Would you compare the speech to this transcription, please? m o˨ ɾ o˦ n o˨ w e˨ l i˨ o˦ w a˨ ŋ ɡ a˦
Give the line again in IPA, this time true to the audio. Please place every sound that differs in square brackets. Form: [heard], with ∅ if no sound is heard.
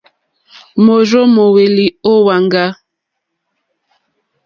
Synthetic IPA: m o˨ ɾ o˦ [m] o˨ w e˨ l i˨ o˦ w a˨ ŋ ɡ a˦